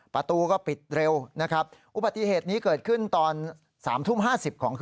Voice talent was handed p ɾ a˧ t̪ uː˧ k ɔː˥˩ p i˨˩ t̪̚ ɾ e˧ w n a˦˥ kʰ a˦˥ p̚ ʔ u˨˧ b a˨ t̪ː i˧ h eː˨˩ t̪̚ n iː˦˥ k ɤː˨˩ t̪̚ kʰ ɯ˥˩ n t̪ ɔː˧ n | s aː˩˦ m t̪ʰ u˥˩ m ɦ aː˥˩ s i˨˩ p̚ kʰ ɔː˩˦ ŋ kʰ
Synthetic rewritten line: p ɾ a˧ t̪ uː˧ k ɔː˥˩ p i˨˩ t̪̚ ɾ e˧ w n a˦˥ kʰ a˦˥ p̚ ʔ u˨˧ b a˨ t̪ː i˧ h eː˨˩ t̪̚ n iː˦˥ k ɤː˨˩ t̪̚ kʰ ɯ˥˩ n t̪ ɔː˧ n | s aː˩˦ m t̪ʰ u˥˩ m ɦ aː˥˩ s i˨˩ p̚ kʰ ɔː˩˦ ŋ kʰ

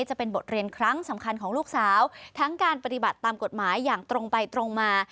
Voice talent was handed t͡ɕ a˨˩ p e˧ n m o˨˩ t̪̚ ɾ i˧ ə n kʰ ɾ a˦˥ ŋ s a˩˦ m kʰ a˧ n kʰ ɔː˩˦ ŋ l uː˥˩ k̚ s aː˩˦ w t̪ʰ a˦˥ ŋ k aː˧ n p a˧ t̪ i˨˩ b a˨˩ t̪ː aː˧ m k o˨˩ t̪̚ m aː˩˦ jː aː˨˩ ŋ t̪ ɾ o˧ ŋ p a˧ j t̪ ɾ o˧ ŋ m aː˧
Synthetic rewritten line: t͡ɕ a˨˩ p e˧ n b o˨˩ t̪̚ ɾ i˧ ə n kʰ ɾ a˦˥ ŋ s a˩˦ m kʰ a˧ n kʰ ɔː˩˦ ŋ l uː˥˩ k̚ s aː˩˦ w t̪ʰ a˦˥ ŋ k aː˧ n p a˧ t̪ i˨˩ b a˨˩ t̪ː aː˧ m k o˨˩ t̪̚ m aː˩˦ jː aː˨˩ ŋ t̪ ɾ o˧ ŋ p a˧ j t̪ ɾ o˧ ŋ m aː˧

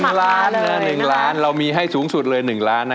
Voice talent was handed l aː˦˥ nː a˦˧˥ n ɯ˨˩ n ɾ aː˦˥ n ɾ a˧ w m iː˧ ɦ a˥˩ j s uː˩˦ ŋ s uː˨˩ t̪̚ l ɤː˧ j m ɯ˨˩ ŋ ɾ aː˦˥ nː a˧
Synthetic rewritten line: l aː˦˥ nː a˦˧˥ n ɯ˨˩ ŋ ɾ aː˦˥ n ɾ a˧ w m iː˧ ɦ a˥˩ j s uː˩˦ ŋ s u˨˩ t̪̚ l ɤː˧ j n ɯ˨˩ ŋ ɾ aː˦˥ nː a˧

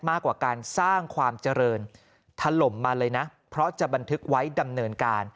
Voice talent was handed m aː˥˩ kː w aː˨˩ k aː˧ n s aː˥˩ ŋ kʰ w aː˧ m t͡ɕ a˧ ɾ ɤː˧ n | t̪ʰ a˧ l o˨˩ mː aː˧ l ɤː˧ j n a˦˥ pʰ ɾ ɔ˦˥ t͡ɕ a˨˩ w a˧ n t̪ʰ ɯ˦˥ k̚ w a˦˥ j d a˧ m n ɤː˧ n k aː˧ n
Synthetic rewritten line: m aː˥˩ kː w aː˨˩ k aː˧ n s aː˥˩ ŋ kʰ w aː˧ m t͡ɕ a˧ ɾ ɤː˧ n | t̪ʰ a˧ l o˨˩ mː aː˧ l ɤː˧ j n a˦˥ pʰ ɾ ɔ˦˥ t͡ɕ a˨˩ b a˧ n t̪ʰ ɯ˦˥ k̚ w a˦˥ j d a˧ m n ɤː˧ n k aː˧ n

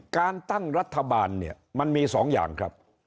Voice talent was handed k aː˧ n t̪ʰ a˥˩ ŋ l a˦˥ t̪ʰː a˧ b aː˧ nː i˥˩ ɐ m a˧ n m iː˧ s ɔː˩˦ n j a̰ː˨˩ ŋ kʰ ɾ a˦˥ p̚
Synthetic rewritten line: k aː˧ n t̪ a˥˩ ŋ ɾ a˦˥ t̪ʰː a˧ b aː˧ nː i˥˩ ɐ m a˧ n m iː˧ s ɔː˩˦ ŋ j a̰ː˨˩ ŋ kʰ ɾ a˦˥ p̚

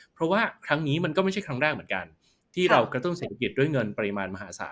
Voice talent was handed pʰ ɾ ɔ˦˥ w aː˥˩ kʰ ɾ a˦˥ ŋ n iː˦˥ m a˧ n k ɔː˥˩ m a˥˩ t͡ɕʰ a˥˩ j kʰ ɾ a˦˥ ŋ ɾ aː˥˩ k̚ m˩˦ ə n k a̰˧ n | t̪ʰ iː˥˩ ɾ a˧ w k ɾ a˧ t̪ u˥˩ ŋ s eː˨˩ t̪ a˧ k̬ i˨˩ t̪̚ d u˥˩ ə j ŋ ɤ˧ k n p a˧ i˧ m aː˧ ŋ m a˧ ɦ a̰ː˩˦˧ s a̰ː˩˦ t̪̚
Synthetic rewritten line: pʰ ɾ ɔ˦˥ w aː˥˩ kʰ ɾ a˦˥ ŋ n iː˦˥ m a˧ n k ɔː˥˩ m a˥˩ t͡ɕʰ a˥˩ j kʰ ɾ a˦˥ ŋ ɾ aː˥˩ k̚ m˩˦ ə n k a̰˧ n | t̪ʰ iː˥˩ ɾ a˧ w k ɾ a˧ t̪ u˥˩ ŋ s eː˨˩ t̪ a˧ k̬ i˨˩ t̪̚ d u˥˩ ə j ŋ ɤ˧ n p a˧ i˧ m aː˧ n m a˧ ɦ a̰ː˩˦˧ s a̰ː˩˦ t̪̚

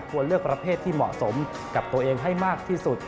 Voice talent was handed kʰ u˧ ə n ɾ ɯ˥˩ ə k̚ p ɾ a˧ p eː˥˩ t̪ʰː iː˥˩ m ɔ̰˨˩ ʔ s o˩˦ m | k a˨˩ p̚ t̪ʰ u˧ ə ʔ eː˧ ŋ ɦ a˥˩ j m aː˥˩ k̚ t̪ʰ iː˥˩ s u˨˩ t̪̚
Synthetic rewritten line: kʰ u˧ ə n l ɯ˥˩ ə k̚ p ɾ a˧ pʰ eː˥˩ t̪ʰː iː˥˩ m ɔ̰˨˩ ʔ s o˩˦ m | k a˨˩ p̚ t̪ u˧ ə ʔ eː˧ ŋ ɦ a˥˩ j m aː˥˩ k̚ t̪ʰ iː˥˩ s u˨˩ t̪̚

